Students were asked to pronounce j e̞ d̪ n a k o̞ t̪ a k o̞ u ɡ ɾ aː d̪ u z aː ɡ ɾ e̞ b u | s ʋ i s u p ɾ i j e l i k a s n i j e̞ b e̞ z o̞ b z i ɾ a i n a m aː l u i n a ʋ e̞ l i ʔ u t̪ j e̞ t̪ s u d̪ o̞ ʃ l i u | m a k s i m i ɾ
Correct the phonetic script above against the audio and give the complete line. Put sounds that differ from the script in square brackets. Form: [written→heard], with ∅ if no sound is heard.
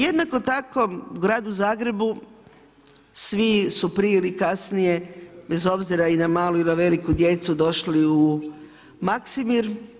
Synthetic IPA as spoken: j e̞ d̪ n a k o̞ t̪ a k o̞ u ɡ ɾ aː d̪ u z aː ɡ ɾ e̞ b u | s ʋ i s u p ɾ i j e l i k a s n i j e̞ b e̞ z o̞ b z i ɾ a i n a m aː l u i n a ʋ e̞ l i [ʔ→k] u [t̪→d̪] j e̞ t̪ s u d̪ o̞ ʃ l i u | m a k s i m i ɾ